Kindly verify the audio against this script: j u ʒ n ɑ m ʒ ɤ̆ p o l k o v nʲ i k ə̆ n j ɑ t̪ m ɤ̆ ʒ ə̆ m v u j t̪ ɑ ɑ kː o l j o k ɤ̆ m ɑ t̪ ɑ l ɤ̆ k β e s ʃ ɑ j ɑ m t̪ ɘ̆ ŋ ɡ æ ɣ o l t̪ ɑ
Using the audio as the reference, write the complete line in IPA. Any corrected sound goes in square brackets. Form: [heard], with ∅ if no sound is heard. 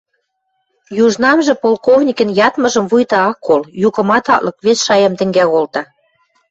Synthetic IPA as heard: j u ʒ n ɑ m ʒ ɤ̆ p o l k o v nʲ i k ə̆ n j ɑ t̪ m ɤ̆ ʒ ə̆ m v u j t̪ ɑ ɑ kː o l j [u] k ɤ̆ m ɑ t̪ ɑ l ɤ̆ k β e s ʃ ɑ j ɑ m t̪ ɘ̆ ŋ ɡ æ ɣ o l t̪ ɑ